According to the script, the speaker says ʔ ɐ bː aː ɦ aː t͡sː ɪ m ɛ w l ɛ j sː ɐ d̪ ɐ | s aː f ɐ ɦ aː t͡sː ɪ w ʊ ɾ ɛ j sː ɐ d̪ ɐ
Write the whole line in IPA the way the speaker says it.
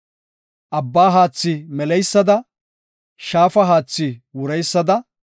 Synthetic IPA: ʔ ɐ bː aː ɦ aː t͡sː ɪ m ɛ l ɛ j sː ɐ d̪ ɐ | ʃ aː f ɐ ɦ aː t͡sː ɪ w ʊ ɾ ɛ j sː ɐ d̪ ɐ